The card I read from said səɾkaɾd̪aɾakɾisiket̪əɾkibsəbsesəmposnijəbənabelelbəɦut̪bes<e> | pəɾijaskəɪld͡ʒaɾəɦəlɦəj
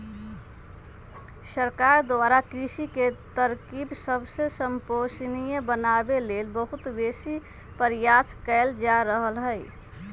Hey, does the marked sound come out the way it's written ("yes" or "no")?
no